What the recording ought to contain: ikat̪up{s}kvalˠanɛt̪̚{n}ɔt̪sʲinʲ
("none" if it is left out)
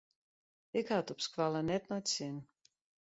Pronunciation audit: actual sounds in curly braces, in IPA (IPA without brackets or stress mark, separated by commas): s, n